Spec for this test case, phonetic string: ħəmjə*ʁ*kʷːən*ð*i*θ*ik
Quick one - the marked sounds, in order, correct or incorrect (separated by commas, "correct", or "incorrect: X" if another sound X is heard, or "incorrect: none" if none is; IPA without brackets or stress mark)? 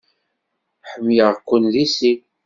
correct, correct, incorrect: s